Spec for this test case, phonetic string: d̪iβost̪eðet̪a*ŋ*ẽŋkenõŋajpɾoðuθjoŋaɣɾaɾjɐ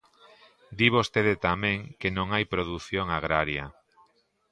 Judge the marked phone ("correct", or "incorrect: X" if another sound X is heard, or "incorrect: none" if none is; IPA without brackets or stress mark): incorrect: m